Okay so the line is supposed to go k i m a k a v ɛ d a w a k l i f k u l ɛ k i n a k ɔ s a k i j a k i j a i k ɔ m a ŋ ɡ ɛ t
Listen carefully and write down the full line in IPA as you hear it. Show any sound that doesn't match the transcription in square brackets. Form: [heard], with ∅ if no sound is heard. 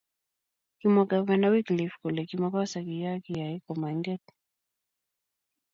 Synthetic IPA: k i m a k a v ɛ [n] a w [i] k l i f k u l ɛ k i [m] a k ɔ s a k i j a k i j a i k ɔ m a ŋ ɡ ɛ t